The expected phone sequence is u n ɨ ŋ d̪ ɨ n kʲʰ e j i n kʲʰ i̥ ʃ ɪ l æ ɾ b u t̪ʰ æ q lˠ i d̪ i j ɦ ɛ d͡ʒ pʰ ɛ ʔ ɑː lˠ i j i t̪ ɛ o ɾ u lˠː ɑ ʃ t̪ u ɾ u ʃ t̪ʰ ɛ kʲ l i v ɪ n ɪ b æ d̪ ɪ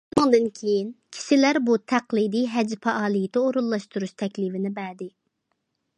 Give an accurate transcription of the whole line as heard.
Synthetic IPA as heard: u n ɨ ŋ d̪ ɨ n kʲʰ e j i n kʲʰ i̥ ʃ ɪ l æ ɾ b u t̪ʰ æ q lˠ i d̪ i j ɦ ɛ d͡ʒ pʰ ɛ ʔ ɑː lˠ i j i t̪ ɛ o ɾ u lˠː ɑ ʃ t̪ u ɾ u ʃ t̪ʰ ɛ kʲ l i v ɪ n ɪ b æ d̪ ɪ

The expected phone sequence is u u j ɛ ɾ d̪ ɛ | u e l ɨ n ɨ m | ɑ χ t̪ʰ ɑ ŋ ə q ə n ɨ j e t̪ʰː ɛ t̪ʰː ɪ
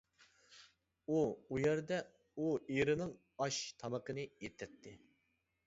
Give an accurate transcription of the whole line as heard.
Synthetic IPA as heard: u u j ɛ ɾ d̪ ɛ | u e ɾ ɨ n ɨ ŋ | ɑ ʃ t̪ʰ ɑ m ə q ə n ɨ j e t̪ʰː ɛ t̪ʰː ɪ

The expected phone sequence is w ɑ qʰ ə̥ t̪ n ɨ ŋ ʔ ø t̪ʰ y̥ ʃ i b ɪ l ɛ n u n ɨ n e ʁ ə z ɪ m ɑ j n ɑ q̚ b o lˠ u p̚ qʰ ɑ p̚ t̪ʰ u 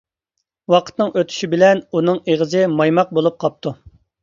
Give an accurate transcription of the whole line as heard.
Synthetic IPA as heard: w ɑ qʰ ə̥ t̪ n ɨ ŋ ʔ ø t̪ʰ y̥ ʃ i b ɪ l ɛ n u n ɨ ŋ e ʁ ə z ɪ m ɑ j m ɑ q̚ b o lˠ u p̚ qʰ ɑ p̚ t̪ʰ u

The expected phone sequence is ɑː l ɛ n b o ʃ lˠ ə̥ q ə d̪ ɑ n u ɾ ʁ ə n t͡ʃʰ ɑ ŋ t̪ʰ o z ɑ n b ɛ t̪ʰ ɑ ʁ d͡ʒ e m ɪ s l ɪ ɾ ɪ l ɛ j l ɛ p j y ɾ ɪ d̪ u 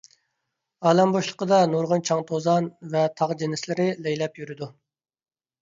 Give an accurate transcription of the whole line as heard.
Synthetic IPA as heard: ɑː l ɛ m b o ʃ lˠ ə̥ q ə d̪ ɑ n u ɾ ʁ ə n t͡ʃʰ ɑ ŋ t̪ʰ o z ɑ n v ɛ t̪ʰ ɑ ʁ d͡ʒ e n ɪ s l ɪ ɾ ɪ l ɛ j l ɛ p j y ɾ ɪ d̪ u

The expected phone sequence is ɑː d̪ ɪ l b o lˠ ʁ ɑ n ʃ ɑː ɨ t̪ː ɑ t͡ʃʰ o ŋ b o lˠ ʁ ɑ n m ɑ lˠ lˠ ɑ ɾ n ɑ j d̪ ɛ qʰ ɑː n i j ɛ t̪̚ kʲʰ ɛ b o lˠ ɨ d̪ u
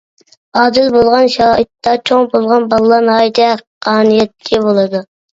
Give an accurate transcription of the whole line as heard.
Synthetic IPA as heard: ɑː d̪ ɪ l b o lˠ ʁ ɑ n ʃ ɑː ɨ t̪ː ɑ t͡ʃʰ o ŋ b o lˠ ʁ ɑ n b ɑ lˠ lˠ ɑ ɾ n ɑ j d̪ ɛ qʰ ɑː n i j ɛ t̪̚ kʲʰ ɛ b o lˠ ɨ d̪ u

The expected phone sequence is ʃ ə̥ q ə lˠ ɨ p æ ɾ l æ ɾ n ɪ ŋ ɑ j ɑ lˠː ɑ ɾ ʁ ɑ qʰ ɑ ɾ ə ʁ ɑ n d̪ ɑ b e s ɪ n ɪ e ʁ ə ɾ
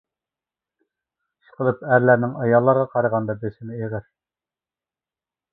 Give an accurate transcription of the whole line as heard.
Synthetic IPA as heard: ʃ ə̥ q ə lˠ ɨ p æ ɾ l æ ɾ n ɪ ŋ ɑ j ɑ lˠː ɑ ɾ ʁ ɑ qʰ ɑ ɾ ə ʁ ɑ n d̪ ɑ b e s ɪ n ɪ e ʁ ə ɾ

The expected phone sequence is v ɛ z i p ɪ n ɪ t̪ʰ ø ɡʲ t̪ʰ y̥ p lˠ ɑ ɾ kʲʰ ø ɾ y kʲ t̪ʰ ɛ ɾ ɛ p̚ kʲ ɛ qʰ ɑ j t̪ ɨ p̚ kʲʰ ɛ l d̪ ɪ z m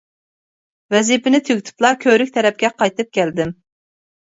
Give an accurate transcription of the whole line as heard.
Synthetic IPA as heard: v ɛ z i p ɪ n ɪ t̪ʰ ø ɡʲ t̪ʰ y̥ p lˠ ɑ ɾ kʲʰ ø ɾ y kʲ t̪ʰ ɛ ɾ ɛ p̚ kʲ ɛ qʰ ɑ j t̪ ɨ p̚ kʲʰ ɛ l d̪ ɪ m

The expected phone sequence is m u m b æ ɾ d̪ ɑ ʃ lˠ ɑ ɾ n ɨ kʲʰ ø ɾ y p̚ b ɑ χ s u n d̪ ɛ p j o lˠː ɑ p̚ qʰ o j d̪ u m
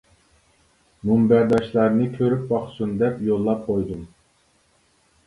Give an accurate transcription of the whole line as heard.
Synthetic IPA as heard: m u m b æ ɾ d̪ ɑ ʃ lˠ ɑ ɾ n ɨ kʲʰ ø ɾ y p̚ b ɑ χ s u n d̪ ɛ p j o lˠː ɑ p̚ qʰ o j d̪ u m

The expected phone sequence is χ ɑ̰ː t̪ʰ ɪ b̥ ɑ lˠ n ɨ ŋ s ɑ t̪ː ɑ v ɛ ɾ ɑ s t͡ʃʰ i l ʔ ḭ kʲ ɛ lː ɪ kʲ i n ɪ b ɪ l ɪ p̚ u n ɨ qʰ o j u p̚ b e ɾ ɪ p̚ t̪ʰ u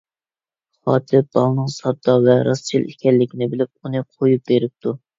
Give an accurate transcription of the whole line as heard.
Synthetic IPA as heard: χ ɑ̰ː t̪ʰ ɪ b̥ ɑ lˠ n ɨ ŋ s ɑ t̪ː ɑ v ɛ ɾ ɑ s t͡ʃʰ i l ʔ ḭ kʲ ɛ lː ɪ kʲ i n ɪ b ɪ l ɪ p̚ u n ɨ qʰ o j u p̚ b e ɾ ɪ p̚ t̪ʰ u

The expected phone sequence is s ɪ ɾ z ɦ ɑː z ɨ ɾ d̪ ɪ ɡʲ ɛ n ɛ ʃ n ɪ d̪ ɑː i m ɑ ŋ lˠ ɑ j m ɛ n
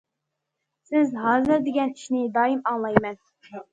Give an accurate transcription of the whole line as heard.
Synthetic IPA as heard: s ɪ z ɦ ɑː z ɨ ɾ d̪ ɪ ɡʲ ɛ n i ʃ n ɪ d̪ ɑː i m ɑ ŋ lˠ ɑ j m ɛ n

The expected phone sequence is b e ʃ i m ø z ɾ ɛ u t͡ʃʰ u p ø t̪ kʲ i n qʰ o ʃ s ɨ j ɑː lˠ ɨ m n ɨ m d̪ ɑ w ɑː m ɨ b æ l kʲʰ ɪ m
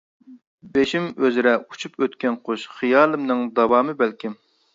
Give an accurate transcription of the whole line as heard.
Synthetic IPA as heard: b e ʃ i m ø z ɾ ɛ u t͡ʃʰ u p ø t̪ kʲ ɛ n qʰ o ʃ χ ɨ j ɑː lˠ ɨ m n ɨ ŋ d̪ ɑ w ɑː m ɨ b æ l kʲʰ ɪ m

